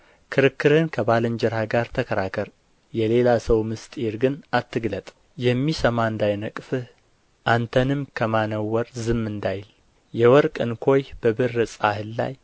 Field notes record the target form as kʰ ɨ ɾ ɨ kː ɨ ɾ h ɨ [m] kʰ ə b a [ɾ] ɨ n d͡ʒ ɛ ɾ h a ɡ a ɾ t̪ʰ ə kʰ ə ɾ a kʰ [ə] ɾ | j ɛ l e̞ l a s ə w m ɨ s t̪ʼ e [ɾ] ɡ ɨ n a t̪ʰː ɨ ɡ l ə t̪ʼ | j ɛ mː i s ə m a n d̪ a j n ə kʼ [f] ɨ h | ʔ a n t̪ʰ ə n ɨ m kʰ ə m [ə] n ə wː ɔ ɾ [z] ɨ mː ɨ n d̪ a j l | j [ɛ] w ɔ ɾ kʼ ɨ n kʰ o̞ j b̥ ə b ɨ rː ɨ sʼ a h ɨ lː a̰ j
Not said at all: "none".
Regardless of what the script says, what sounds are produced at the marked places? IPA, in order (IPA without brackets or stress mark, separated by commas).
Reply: n, l, ə, ɾ, f, a, z, ɛ